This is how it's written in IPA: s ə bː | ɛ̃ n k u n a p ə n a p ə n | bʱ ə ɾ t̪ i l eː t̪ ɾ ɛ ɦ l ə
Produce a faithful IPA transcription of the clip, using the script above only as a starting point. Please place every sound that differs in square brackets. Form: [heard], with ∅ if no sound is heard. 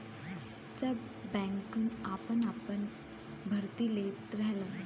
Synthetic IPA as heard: s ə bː | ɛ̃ [ŋ] k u n a p ə n a p ə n | bʱ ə ɾ t̪ i l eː t̪ ɾ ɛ ɦ l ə